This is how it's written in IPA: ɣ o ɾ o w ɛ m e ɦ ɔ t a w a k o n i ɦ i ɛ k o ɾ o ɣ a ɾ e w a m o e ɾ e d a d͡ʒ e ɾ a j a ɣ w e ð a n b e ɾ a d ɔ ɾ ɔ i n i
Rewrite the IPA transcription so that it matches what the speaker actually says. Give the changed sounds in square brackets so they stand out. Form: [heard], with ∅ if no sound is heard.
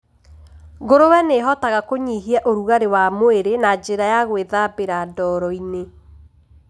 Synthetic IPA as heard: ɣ o ɾ o w ɛ [n] e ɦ ɔ t a [ɣ] a k o [ɲ] i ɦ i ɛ [ʔ] o ɾ [u] ɣ a ɾ e w a m o e ɾ e [n] a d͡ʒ e ɾ a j a ɣ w e ð a [∅] b e ɾ a d ɔ ɾ ɔ i n [e]